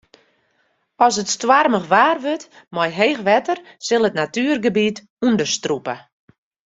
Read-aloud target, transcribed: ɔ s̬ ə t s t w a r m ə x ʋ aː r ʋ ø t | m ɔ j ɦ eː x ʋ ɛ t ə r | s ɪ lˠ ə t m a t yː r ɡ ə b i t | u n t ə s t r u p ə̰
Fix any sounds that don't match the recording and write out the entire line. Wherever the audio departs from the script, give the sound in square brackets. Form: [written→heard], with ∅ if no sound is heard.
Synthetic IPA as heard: ɔ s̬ ə t s t w a r m ə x ʋ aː r ʋ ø t | m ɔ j ɦ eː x ʋ ɛ t ə r | s ɪ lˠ ə t [m→n] a t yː r ɡ ə b i t | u n [t→d] ə s t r u p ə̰